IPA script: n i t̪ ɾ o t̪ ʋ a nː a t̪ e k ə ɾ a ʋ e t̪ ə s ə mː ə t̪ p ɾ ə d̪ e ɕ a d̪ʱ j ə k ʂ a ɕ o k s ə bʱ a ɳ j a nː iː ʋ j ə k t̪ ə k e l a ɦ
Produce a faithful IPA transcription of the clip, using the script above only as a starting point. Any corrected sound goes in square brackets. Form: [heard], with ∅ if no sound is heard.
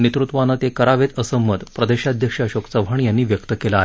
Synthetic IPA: n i t̪ ɾ [u] t̪ ʋ a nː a t̪ e k ə ɾ a ʋ e t̪ ə s ə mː ə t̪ p ɾ ə d̪ e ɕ a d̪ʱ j ə k ʂ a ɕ o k s ə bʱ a ɳ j a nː iː ʋ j ə k t̪ ə k e l a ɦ

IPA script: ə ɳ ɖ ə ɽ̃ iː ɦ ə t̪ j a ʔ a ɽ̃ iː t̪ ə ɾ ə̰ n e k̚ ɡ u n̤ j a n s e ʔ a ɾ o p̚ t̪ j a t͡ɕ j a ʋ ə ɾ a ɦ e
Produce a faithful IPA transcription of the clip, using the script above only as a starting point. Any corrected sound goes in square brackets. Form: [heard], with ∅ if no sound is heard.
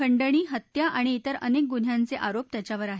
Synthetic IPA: ə ɳ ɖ ə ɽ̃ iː ɦ ə t̪ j a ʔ a ɽ̃ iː t̪ ə ɾ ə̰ n e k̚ ɡ u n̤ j a n [t͡s] e ʔ a ɾ o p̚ t̪ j a t͡ɕ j a ʋ ə ɾ a ɦ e

